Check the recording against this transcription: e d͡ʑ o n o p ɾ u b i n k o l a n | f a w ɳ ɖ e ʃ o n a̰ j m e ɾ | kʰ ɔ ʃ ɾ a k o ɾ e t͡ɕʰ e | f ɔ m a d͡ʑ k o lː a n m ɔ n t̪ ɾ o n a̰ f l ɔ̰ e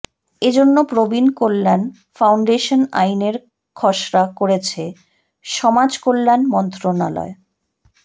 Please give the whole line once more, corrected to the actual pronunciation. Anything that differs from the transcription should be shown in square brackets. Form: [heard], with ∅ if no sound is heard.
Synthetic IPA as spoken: e d͡ʑ o [nː] o p ɾ [o] b i n k o [lː] a n | f a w ɳ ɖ e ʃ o n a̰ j [n] e ɾ | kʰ ɔ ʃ ɾ a k o ɾ e t͡ɕʰ e | [ʃ] ɔ m a d͡ʑ k o lː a n m ɔ n t̪ ɾ o n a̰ [∅] l ɔ̰ e

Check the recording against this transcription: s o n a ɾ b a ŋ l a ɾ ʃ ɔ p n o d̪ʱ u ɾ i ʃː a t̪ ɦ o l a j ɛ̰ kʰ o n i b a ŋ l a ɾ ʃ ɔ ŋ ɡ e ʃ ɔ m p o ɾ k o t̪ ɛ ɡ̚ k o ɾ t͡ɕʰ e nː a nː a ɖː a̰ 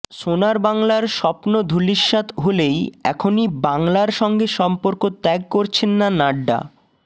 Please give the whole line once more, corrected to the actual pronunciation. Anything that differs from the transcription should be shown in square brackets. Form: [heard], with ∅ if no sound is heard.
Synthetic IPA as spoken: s o n a ɾ b a ŋ l a ɾ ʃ ɔ p n o d̪ʱ u [l] i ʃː a t̪ ɦ o l [e] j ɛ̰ kʰ o n i b a ŋ l a ɾ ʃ ɔ ŋ ɡ e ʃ ɔ m p o ɾ k o t̪ ɛ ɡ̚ k o ɾ t͡ɕʰ e nː a [n] a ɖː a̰

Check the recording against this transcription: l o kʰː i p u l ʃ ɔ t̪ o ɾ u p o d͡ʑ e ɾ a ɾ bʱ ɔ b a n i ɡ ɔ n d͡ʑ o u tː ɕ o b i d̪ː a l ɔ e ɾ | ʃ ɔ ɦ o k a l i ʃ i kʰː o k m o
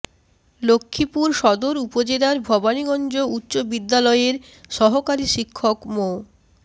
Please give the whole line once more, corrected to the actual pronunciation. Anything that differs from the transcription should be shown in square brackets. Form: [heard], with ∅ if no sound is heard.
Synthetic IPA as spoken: l o kʰː i p u [ɾ] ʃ ɔ [d̪] o ɾ u p o d͡ʑ e [l] a ɾ bʱ ɔ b a n i ɡ ɔ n d͡ʑ o u tː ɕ o b i d̪ː a l ɔ e ɾ | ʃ ɔ ɦ o k a [ɾ] i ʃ i kʰː o k m o

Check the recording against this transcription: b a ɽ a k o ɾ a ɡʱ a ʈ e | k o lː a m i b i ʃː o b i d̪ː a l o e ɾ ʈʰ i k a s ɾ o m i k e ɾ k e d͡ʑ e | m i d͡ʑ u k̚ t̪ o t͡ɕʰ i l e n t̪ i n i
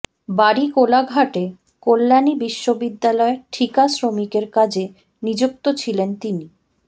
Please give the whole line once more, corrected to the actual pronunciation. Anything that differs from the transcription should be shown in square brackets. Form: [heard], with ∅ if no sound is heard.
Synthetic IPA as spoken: b a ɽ [i] k o [l] a ɡʱ a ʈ e | k o lː a [n] i b i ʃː o b i d̪ː a l [ɔ] e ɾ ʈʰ i k a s ɾ o m i k e ɾ k [a] d͡ʑ e | [n] i d͡ʑ u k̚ t̪ o t͡ɕʰ i l e n t̪ i n i

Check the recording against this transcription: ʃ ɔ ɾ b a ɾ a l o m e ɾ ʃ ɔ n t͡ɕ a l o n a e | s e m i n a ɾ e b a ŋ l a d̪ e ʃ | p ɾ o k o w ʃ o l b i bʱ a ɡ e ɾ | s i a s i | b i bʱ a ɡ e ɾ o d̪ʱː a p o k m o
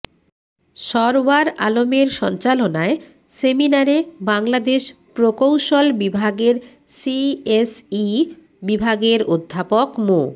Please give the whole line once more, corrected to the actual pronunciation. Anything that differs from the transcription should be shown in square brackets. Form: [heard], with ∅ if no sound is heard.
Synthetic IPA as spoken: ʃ ɔ ɾ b a ɾ a l o m e ɾ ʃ ɔ n t͡ɕ a l o n a e | s e m i n a ɾ e b a ŋ l a d̪ e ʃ | p ɾ o k o w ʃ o l b i bʱ a ɡ e ɾ | s i [e] s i | b i bʱ a ɡ e ɾ o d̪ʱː a p o k m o

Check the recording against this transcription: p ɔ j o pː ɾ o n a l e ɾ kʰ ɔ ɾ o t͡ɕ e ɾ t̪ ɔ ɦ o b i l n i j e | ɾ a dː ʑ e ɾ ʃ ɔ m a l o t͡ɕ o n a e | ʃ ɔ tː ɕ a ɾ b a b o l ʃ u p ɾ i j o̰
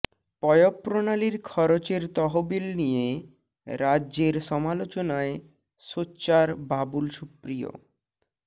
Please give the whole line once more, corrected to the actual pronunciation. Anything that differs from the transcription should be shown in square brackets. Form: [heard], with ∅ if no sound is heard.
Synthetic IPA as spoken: p ɔ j o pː ɾ o n a l [i] ɾ kʰ ɔ ɾ o t͡ɕ e ɾ t̪ ɔ ɦ o b i l n i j e | ɾ a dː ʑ e ɾ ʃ ɔ m a l o t͡ɕ o n a e | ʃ [o] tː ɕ a ɾ b a b [u] l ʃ u p ɾ i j o̰

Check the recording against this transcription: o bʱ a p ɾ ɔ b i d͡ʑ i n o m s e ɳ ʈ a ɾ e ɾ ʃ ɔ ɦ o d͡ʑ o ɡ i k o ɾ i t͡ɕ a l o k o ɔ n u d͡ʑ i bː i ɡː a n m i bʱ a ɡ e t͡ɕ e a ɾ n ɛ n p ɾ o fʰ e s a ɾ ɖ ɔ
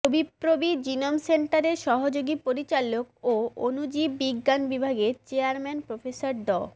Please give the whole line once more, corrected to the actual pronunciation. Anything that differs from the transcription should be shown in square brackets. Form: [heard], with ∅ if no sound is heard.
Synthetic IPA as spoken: o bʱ [i] p ɾ [o] b i d͡ʑ i n o m s e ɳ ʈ a ɾ e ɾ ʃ ɔ ɦ o d͡ʑ o ɡ i [p] o ɾ i t͡ɕ a l o k o [o] n u d͡ʑ i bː i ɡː a n [b] i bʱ a ɡ e t͡ɕ e a ɾ [m] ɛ n p ɾ o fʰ e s a ɾ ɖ ɔ

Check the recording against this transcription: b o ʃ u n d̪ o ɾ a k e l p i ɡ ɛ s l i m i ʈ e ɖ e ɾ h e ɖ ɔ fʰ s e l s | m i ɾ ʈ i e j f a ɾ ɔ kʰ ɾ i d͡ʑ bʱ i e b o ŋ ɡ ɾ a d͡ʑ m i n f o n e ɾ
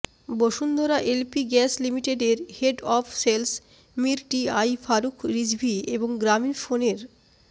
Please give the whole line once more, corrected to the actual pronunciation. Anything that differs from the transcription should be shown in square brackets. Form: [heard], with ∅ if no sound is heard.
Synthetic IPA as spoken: b o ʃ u n d̪ o ɾ a [ʔ] e l p i ɡ ɛ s l i m i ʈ e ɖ e ɾ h e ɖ ɔ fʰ s e l s | m i ɾ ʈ i [a] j f a ɾ [u] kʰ ɾ i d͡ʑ bʱ i e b o ŋ ɡ ɾ a [∅] m i n f o n e ɾ

